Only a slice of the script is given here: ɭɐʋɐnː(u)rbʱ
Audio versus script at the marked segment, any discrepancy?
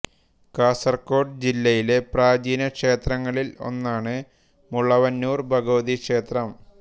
yes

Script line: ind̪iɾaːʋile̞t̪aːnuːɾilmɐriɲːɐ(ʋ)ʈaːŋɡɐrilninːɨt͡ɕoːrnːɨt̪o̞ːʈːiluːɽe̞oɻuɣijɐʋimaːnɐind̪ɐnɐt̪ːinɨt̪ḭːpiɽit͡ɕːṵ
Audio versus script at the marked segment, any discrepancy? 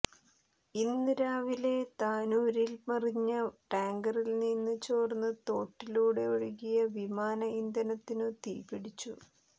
yes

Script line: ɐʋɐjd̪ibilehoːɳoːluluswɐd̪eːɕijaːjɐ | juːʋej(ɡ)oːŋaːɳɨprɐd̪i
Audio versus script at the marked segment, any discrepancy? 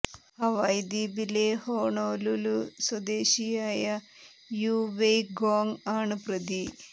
no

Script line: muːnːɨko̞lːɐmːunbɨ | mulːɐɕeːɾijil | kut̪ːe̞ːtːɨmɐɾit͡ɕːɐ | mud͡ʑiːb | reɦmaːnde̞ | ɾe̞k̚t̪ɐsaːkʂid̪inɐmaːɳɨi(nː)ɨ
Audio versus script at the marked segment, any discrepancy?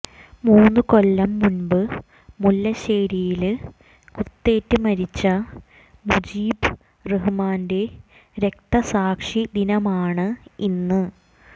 no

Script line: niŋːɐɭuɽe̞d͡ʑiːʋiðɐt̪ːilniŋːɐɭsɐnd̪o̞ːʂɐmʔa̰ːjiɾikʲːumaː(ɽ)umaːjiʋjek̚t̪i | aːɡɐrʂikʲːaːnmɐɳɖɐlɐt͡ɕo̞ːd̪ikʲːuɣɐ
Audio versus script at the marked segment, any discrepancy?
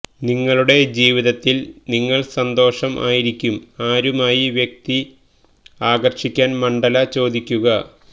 yes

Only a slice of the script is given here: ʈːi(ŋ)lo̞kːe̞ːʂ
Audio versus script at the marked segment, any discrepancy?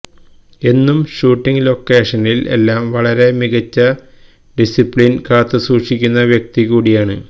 no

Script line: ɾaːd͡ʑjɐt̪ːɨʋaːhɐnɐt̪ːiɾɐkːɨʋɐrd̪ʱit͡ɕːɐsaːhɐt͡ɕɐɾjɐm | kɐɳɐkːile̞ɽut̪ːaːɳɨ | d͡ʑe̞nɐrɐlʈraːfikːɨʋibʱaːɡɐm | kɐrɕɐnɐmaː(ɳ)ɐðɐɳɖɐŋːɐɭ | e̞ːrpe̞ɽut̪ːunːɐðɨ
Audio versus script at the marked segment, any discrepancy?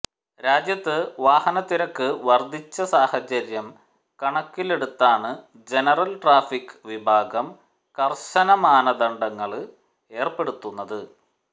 yes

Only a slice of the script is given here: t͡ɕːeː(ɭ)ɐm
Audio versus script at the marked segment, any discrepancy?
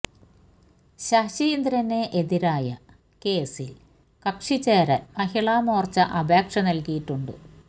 yes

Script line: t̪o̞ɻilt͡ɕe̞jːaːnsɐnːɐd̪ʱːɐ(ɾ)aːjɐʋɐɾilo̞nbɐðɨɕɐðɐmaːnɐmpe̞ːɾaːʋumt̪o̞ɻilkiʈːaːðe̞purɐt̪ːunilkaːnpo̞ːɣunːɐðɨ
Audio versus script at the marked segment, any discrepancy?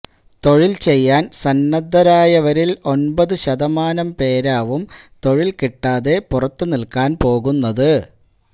no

